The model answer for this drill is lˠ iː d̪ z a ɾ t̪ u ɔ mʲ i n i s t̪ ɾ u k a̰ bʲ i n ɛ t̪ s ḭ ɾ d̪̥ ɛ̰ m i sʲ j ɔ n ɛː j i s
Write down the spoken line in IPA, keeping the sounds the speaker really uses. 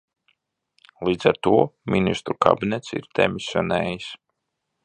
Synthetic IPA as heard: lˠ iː d̪ z a ɾ t̪ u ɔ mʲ i n i s t̪ ɾ u k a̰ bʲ i n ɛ t̪ s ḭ ɾ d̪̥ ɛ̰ m i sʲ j ɔ n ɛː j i s